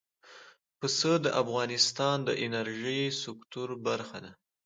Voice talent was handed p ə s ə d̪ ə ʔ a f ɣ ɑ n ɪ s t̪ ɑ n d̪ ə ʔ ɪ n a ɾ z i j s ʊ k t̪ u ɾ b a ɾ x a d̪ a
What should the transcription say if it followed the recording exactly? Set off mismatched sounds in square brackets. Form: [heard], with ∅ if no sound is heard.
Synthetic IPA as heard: p ə s ə d̪ ə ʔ a f ɣ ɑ n ɪ s t̪ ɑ n d̪ ə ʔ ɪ n a ɾ [ʒ] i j s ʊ k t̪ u ɾ b a ɾ x a d̪ a

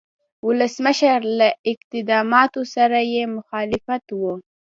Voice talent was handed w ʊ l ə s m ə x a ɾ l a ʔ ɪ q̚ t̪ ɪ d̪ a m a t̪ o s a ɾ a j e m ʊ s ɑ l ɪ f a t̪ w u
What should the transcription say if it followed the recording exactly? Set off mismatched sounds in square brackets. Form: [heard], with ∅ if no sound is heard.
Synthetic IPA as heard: w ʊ l ə s m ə [ʃ] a ɾ l a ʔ ɪ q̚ t̪ ɪ d̪ [ɑ] m [ɑ] t̪ o s a ɾ a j e m ʊ [x] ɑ l ɪ f a t̪ w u

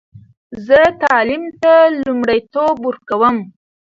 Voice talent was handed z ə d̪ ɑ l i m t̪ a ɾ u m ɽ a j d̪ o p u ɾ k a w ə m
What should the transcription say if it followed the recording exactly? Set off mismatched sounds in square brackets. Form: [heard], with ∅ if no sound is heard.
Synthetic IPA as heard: z ə [t̪] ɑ l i m t̪ a [l] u m ɽ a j [t̪] o [b] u ɾ k a w ə m

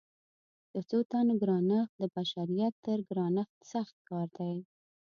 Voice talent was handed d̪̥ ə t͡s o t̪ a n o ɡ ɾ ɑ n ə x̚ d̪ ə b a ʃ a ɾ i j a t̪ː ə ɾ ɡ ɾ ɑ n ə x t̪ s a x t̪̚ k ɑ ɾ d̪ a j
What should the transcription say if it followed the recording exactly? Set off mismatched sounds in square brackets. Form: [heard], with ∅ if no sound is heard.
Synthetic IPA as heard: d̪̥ ə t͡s o t̪ a n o ɡ ɾ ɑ n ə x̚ d̪ ə b a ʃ a ɾ i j a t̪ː ə ɾ ɡ ɾ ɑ n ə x t̪ s a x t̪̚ k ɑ ɾ d̪ a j

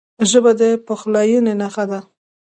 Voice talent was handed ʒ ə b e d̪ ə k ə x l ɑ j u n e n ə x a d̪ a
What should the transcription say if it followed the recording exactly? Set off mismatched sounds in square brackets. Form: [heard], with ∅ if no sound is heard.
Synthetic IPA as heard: ʒ ə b [a] d̪ ə [p] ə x l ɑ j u n e n [a] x a d̪ a

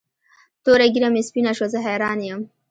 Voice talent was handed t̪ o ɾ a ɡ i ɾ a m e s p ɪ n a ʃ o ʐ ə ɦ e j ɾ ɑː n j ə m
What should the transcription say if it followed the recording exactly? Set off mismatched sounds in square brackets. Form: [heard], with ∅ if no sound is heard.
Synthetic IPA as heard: t̪ o ɾ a ɡ i ɾ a m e s p [i] n a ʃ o [z] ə ɦ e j ɾ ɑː n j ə m

